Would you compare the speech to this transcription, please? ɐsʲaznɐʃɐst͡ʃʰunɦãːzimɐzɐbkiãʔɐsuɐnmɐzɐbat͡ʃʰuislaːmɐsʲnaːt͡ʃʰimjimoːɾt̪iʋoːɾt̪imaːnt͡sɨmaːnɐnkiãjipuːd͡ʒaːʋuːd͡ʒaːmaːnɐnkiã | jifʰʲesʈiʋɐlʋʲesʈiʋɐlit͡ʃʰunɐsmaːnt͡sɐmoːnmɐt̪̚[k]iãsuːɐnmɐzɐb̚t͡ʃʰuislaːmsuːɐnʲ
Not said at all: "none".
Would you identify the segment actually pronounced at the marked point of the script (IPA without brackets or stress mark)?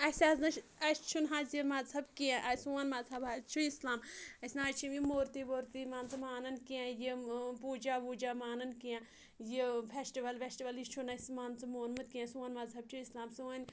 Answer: k